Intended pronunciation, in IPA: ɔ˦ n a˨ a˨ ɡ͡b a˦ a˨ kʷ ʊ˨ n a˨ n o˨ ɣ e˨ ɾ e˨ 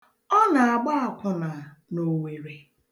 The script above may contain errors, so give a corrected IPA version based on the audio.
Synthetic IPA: ɔ˦ n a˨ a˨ ɡ͡b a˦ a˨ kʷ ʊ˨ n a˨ n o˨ w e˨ ɾ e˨